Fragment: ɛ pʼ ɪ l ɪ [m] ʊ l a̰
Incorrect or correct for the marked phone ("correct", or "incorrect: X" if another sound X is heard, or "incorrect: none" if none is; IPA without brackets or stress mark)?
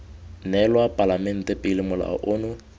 correct